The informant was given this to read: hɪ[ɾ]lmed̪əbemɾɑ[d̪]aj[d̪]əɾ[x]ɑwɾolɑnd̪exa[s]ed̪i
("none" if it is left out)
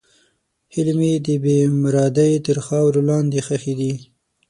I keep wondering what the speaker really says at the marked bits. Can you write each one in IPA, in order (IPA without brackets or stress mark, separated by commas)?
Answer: none, d̪, t̪, x, x